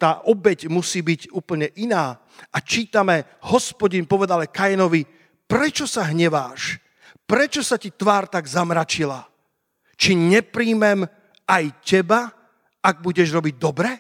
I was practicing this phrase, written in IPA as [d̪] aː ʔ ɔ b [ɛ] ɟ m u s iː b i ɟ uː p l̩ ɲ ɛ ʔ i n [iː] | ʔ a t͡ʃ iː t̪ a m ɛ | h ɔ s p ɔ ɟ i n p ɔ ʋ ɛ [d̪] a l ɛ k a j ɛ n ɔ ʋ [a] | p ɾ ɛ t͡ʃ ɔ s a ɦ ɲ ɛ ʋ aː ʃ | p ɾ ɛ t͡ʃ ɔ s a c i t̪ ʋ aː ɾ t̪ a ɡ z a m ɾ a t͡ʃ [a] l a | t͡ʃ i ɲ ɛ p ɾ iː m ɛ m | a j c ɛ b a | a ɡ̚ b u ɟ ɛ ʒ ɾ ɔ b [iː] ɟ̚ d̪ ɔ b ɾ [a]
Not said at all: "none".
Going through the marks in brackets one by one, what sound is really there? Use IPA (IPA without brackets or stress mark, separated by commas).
t̪, ɛ, aː, d̪, i, i, i, ɛ